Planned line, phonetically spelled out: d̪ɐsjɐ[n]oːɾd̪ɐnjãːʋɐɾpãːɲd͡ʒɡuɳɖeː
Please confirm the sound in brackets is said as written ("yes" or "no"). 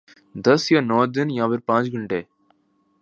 yes